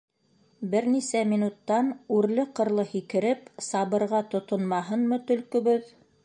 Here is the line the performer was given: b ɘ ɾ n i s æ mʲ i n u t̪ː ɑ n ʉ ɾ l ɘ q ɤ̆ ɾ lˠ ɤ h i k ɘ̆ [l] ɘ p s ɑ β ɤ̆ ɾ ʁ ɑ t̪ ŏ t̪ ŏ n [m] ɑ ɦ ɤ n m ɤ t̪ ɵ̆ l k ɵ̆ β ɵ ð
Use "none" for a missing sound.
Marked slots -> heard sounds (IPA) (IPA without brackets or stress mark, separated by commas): ɾ, m